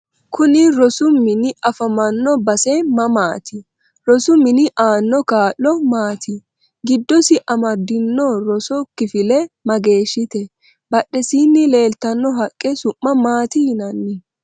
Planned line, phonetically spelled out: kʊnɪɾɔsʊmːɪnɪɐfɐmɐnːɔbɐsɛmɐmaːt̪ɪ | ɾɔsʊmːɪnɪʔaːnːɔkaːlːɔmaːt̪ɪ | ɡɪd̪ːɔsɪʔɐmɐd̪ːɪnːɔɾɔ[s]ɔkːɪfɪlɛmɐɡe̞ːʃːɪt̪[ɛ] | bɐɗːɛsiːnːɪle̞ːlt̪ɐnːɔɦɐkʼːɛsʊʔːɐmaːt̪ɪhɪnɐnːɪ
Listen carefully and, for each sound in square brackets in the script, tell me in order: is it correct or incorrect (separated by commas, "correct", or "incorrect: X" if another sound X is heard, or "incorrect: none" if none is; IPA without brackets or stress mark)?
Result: correct, correct